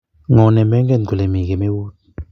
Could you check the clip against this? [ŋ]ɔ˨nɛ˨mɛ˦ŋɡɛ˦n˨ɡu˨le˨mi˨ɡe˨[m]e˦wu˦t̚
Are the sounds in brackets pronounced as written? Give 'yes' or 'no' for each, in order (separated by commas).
yes, yes